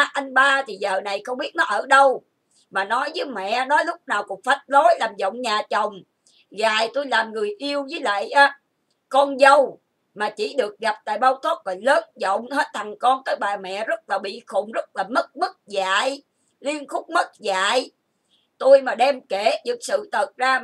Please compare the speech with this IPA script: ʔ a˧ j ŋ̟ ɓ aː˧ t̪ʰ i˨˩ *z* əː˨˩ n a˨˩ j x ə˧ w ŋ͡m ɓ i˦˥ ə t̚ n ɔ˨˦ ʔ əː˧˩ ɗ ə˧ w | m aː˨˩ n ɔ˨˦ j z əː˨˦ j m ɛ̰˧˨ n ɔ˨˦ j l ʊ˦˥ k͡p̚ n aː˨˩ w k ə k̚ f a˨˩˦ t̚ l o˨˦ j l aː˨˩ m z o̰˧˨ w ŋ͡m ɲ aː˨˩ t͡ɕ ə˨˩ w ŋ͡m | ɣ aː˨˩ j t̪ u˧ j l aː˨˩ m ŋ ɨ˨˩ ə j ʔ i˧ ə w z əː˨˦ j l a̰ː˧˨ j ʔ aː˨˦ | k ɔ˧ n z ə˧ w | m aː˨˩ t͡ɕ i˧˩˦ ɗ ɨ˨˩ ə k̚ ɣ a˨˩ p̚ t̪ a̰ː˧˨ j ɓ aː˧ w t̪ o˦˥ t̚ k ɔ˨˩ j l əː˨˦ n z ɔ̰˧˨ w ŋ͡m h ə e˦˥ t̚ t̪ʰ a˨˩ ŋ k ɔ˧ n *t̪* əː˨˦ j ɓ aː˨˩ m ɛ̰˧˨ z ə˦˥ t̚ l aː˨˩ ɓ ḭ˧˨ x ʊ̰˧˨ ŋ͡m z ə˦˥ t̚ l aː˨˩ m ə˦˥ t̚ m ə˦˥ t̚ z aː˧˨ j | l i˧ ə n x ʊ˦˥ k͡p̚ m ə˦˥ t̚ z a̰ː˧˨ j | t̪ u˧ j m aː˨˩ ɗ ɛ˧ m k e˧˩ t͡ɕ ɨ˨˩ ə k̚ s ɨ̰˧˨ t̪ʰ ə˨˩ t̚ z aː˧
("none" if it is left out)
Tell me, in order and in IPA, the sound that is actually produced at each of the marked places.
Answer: z, t̪

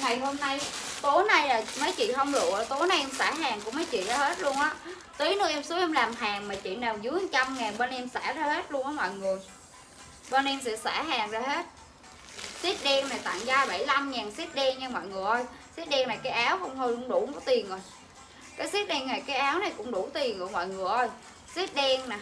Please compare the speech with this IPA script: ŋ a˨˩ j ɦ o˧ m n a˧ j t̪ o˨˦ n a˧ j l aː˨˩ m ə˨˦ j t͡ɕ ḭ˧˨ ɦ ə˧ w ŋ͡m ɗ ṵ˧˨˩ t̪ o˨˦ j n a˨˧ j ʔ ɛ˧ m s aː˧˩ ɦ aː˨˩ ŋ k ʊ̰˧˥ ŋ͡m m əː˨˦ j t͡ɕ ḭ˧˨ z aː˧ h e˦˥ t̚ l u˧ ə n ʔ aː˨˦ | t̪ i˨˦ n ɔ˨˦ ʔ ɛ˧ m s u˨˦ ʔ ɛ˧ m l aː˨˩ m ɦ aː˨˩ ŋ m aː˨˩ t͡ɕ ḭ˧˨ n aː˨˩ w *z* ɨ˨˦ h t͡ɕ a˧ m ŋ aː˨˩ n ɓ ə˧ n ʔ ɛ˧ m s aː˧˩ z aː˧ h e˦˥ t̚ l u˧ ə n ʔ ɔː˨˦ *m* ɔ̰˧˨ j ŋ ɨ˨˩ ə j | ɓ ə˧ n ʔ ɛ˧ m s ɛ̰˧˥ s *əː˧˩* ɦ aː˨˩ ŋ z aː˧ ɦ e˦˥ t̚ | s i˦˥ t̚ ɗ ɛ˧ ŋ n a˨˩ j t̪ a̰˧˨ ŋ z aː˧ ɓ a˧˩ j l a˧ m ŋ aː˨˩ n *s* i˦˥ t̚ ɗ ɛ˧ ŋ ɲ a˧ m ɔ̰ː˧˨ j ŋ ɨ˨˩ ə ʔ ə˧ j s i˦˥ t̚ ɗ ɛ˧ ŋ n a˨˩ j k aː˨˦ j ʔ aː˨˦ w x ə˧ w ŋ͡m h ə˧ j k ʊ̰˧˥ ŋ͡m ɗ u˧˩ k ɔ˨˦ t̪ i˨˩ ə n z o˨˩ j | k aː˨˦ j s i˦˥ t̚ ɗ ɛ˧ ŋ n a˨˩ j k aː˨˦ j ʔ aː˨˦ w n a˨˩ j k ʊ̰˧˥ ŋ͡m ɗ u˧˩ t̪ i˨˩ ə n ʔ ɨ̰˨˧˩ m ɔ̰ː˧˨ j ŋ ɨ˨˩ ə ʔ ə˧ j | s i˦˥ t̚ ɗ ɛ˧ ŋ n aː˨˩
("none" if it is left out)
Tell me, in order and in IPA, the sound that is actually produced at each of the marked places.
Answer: z, m, aː˧˩, s

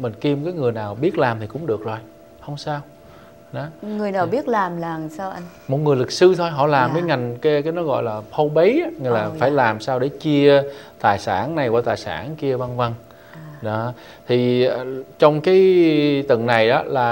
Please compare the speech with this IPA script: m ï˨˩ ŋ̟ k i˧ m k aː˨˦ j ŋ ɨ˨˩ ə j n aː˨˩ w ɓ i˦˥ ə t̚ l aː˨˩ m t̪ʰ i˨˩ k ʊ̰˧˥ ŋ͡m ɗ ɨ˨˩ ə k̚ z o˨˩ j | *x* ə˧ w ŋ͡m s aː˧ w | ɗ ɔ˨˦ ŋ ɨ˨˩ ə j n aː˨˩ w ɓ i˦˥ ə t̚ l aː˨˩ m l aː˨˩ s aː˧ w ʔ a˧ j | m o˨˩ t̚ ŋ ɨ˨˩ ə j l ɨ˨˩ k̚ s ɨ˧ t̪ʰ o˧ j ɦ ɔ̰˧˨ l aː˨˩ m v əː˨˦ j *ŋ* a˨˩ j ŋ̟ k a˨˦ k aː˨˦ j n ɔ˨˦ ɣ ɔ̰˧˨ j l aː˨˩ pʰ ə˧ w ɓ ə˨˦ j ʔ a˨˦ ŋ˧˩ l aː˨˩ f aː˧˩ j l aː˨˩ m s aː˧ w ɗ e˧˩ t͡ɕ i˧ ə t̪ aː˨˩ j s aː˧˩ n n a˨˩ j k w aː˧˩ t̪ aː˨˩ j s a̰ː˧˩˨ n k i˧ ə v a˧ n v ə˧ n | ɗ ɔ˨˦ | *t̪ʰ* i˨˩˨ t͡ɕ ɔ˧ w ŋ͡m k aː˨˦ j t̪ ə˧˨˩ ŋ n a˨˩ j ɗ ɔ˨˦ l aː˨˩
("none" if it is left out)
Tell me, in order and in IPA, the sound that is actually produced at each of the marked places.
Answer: h, ŋ, t̪ʰ

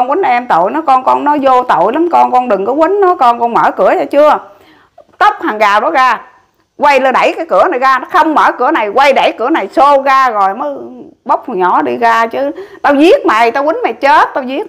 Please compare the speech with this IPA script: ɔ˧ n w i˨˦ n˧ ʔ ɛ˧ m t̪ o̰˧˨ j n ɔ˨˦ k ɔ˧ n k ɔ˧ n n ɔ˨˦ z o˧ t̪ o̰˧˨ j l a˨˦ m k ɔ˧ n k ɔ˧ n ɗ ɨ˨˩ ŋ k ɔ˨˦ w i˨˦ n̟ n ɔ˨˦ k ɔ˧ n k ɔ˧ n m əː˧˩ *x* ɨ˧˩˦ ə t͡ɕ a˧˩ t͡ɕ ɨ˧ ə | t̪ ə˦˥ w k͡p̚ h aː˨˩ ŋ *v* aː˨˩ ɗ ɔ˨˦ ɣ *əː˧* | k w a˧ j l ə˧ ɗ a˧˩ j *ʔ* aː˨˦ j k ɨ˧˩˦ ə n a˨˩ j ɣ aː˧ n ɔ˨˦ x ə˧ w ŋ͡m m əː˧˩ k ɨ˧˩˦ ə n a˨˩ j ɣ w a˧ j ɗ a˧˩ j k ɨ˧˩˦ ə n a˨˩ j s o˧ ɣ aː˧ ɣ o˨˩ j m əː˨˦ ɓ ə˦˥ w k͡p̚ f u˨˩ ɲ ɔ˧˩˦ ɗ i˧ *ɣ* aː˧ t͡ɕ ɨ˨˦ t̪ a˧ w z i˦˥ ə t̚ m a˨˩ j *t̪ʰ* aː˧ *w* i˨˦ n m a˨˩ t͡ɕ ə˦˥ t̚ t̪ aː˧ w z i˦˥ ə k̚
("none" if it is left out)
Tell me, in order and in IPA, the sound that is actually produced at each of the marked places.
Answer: k, ɣ, aː˧, k, ɣ, t̪, w

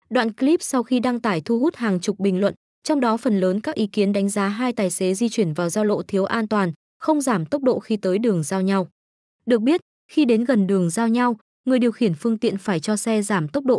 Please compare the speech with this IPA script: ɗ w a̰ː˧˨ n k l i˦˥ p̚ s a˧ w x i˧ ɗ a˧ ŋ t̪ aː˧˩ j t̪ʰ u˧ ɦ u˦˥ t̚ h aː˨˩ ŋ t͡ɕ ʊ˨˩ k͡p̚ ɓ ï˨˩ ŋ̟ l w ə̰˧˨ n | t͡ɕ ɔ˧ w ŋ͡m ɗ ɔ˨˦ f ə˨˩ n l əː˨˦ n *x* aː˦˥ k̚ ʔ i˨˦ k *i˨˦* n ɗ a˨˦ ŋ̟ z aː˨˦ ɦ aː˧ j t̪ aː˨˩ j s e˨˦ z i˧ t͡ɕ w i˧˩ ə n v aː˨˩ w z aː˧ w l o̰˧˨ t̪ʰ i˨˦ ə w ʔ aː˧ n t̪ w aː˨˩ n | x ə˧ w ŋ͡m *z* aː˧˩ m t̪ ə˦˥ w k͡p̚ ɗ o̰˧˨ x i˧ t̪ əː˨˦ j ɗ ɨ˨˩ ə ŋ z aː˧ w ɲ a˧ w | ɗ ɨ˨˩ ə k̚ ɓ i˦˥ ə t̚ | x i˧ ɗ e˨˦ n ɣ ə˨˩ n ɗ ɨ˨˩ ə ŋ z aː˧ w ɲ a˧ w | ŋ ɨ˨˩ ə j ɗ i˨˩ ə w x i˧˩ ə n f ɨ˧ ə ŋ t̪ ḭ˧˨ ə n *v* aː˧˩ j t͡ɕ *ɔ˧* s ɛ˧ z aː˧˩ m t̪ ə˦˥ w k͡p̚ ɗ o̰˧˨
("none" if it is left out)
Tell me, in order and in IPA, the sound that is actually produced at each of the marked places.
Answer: k, i˨˦, z, f, ɔ˧

